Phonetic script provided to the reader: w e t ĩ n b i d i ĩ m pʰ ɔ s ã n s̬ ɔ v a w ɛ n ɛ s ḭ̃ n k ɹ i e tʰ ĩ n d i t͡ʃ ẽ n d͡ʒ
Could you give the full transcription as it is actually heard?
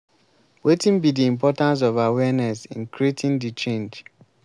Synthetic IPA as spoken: w e t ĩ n b i d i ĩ m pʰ ɔ t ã n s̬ ɔ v a w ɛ n ɛ s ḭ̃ n k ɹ i e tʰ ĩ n d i t͡ʃ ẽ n d͡ʒ

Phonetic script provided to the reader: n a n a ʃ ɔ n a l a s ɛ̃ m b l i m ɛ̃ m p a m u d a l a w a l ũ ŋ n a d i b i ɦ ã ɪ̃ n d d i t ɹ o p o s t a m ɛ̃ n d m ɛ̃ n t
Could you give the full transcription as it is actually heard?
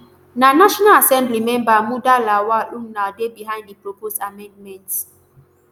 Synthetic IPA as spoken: n a n a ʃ ɔ n a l a s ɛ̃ m b l i m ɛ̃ m b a m u d a l a w a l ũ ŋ n a d e b i ɦ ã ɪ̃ n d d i p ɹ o p o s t a m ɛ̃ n d m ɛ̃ n t

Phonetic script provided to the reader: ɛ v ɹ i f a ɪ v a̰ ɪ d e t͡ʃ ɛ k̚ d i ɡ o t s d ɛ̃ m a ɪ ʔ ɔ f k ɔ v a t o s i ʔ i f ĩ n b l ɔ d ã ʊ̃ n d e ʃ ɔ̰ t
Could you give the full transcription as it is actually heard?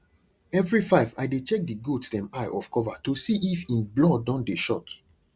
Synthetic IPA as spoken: ɛ v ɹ i f a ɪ v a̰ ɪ d e t͡ʃ ɛ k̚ d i ɡ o t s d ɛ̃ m a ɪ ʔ ɔ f k ɔ v a t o s i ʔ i f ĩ n b l ɔ d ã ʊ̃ n d e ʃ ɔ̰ t

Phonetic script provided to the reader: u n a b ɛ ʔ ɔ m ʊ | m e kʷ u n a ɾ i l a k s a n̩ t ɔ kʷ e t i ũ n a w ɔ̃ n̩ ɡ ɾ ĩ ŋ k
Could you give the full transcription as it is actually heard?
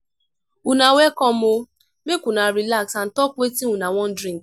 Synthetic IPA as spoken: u n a w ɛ k ɔ m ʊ | m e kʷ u n a ɾ i l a k s a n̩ t ɔ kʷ e t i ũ n a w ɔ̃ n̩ d ɾ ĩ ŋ k

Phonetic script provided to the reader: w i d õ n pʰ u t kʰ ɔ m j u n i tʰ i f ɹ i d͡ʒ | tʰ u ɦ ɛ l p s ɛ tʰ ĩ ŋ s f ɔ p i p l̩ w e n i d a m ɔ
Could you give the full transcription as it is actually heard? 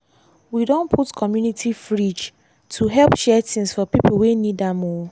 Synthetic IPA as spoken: w i d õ n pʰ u t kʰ ɔ m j u n i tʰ i f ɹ i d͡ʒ | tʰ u ɦ ɛ l p ʃ ɛ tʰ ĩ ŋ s f ɔ p i p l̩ w e n i d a m ɔ

